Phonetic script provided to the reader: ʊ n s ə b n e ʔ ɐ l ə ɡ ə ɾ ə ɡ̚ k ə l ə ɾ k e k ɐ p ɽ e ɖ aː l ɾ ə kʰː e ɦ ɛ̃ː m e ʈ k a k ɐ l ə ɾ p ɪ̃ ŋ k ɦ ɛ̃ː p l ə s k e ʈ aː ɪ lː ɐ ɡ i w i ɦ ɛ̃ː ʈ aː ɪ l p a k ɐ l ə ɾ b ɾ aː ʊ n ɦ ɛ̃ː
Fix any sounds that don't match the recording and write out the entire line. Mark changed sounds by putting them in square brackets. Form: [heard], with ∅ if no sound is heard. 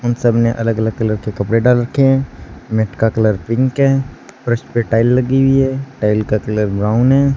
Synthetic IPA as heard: ʊ n s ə b n e ʔ ɐ l ə ɡ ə [l] ə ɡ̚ k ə l ə ɾ k e k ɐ p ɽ e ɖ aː l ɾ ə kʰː e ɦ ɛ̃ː m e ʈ k a k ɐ l ə ɾ p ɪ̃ ŋ k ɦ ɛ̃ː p [ɾ] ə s [p] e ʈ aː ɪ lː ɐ ɡ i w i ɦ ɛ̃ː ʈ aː ɪ l [k] a k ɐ l ə ɾ b ɾ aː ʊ n ɦ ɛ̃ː